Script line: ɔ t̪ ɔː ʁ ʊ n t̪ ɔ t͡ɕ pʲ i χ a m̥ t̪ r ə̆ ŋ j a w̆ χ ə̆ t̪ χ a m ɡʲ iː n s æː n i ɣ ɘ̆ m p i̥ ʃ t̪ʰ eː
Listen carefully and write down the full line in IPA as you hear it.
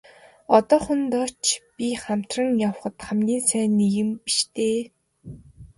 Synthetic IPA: ɔ t̪ ɔː χ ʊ n t̪ ɔ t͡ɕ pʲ i χ a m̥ t̪ r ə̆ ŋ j a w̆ χ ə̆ t̪ χ a m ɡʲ iː n s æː n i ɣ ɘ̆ m p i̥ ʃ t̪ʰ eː

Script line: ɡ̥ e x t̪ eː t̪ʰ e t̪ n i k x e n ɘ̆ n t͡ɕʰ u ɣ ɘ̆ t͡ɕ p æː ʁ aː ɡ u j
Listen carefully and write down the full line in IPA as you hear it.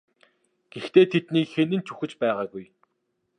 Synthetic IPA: ɡ̥ e x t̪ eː t̪ʰ e t̪ n iː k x e n ɘ̆ n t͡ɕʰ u x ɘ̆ t͡ɕ p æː ʁ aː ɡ u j

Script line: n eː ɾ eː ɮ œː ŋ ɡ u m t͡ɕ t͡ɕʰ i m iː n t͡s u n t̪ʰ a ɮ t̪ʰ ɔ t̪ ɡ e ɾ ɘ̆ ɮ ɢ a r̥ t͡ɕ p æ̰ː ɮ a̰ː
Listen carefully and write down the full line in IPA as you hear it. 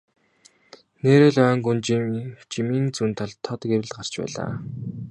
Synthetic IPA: n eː ɾ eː ɮ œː ŋ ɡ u n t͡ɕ t͡ɕ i m iː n t͡s u n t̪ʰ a ɮ t̪ʰ ɔ t̪ ɡ e ɾ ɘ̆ ɮ ɢ a r̥ t͡ɕ p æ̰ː ɮ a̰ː

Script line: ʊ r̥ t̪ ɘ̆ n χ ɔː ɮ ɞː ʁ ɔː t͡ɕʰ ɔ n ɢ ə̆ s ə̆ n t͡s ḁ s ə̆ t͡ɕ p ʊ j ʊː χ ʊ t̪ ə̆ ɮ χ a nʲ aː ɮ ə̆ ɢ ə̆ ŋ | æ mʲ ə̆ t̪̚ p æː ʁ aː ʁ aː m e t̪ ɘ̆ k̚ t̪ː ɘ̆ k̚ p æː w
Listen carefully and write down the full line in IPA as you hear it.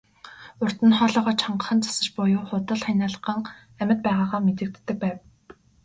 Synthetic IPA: ʊ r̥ t̪ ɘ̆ n χ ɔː ɮ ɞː ʁ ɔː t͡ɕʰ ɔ ɴ ɢ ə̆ χ ə̆ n t͡s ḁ s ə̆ t͡ɕ p ʊ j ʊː χ ʊ t̪ ə̆ ɮ χ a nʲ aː ɮ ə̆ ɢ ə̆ ŋ | æ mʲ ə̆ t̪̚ p æː ʁ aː ʁ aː m e t̪ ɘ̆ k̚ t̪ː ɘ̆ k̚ p æː w

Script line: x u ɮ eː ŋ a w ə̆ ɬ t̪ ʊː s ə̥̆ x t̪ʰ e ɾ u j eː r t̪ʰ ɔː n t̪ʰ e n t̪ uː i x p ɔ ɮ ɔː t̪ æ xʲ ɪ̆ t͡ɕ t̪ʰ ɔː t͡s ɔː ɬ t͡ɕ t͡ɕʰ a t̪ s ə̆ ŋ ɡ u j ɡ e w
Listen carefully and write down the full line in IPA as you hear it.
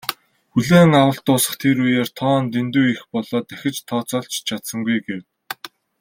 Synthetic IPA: x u ɮ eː ŋ a w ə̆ ɬ t̪ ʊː s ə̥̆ χ t̪ʰ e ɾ u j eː r t̪ʰ ɔː n t̪ e n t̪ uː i x p ɔ ɮ ɔː t̪ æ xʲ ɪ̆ t͡ɕ t̪ʰ ɔː t͡s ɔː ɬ t͡ɕ t͡ɕʰ a t̪ s ə̆ ŋ ɡ u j ɡ e w

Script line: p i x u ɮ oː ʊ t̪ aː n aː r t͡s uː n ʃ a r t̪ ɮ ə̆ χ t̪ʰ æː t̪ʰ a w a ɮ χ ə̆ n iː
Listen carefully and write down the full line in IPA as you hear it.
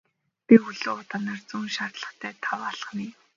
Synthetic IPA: p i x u ɮ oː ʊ t̪ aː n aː r t͡s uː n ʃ a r t̪ ɮ ə̆ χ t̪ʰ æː t̪ʰ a w a ɮ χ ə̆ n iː

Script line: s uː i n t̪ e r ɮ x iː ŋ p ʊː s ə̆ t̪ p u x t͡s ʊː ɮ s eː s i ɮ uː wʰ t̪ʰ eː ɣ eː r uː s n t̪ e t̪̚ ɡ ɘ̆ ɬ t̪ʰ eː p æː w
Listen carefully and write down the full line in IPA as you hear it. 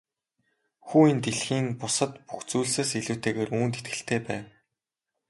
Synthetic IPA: x uː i n t̪ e ɮ x iː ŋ p ʊ s ə̆ t̪ p u x t͡s uː ɮ s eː s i ɮ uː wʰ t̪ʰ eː ɣ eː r uː n t̪ e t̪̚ ɡ ɘ̆ ɬ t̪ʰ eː p æː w

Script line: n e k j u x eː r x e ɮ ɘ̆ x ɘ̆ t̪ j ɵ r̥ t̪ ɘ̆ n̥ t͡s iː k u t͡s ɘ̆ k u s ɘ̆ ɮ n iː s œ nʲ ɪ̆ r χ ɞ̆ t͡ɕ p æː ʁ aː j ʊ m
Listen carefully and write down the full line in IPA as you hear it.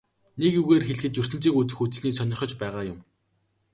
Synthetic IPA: n e k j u ɣ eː r x e ɮ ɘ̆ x ɘ̆ t̪ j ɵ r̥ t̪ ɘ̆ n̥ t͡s iː k u t͡s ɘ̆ x u t͡s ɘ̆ ɮ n iː s œ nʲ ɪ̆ r χ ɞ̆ t͡ɕ p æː ʁ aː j ʊ m

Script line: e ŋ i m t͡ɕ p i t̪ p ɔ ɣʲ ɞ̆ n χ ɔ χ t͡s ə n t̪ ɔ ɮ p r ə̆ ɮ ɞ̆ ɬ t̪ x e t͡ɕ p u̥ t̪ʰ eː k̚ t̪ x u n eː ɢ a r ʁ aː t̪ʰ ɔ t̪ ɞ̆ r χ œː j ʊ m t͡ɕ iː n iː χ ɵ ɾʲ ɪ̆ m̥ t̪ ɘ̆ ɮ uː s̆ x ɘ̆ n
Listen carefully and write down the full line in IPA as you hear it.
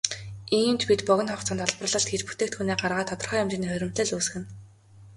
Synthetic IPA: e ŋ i m t͡ɕ p i t̪ p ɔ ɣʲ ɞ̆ n χ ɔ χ t͡s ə n t̪ ɔ ɮ p r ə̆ ɮ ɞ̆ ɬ t̪ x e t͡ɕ p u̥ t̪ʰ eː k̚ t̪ x u n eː ɢ a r ʁ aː t̪ʰ ɔ t̪ ɞ̆ r χ œː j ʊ m t͡ɕ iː n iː χ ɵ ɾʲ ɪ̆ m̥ t̪ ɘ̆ ɮ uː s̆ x ɘ̆ n

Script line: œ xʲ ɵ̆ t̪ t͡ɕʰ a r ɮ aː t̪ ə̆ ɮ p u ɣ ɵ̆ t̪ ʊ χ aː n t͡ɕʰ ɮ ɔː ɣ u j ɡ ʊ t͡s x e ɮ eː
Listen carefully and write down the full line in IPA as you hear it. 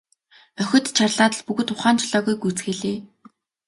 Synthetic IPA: œ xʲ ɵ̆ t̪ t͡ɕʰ a r ɮ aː t̪ ə̆ ɮ p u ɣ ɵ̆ t̪ ʊ χ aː n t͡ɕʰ ɮ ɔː ɣ u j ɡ u t͡s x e ɮ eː

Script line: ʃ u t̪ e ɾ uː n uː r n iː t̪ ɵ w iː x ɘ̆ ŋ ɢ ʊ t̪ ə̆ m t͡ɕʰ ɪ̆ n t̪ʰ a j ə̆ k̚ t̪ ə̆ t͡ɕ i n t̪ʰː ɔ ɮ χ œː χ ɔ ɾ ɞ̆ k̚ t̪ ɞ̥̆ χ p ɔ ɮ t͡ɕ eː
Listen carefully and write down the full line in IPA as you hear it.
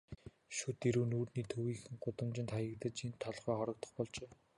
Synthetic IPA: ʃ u t̪ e ɾ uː n uː r n iː t̪ʰ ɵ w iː x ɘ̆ ŋ ɢ ʊ t̪ ə̆ m t͡ɕ ɪ̆ n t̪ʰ a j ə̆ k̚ t̪ ə̆ t͡ɕ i n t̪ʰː ɔ ɮ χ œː χ ɔ ɾ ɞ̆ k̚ t̪ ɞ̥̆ χ p ɔ ɮ t͡ɕ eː

